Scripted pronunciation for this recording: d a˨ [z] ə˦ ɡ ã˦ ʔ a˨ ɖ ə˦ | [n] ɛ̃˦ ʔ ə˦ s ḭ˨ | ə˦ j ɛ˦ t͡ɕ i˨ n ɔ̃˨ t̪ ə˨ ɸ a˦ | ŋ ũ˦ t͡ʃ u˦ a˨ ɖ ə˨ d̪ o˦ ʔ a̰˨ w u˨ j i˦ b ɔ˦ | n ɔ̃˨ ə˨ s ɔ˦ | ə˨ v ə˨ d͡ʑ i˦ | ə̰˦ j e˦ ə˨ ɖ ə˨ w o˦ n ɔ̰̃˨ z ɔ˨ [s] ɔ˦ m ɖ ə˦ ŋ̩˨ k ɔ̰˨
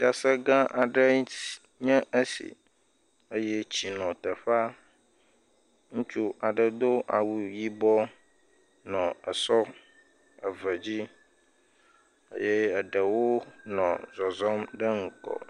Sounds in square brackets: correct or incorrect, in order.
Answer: incorrect: s, incorrect: ɲ, incorrect: z

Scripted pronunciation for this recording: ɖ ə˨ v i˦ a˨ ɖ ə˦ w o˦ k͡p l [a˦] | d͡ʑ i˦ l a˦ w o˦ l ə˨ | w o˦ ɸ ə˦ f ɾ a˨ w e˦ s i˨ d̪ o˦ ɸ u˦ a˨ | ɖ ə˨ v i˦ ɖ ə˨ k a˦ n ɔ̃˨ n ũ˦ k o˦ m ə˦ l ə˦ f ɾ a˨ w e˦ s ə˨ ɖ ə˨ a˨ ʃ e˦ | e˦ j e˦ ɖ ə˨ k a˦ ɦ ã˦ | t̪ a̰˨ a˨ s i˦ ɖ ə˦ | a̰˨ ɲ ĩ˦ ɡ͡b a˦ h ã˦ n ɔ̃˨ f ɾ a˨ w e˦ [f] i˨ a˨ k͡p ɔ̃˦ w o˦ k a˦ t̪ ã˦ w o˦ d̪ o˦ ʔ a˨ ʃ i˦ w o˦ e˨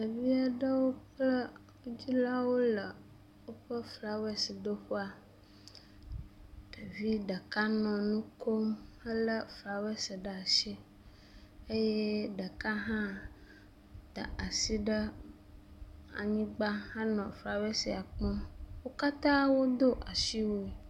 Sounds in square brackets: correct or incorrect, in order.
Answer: incorrect: ə˦, incorrect: s

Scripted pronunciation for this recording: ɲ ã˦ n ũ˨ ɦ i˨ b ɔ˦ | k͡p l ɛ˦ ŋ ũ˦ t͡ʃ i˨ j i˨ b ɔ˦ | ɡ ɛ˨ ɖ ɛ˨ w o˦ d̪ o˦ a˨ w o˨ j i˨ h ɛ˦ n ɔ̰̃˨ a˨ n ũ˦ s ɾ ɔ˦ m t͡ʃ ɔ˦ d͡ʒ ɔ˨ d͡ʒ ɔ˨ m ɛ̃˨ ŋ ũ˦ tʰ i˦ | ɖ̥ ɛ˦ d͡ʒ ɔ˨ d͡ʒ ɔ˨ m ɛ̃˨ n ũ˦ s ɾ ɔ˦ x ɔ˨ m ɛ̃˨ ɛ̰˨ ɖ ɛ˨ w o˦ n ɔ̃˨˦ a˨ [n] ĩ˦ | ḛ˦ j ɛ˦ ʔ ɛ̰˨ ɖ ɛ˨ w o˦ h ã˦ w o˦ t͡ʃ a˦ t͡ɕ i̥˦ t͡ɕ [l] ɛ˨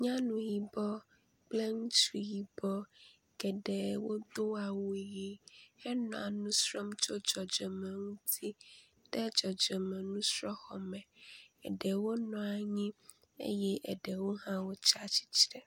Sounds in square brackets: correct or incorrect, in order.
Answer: incorrect: ɲ, incorrect: ɾ

